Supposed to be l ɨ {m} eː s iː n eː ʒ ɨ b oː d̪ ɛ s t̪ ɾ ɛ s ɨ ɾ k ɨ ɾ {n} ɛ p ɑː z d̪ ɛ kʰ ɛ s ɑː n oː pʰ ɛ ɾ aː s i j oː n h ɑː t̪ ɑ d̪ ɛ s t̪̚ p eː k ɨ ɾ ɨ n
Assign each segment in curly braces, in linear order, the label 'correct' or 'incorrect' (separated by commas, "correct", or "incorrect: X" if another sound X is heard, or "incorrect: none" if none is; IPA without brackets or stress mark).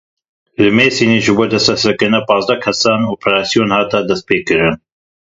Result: correct, correct